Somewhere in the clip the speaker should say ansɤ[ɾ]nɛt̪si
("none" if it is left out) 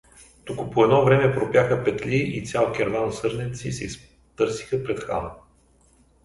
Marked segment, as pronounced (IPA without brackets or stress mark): ɾ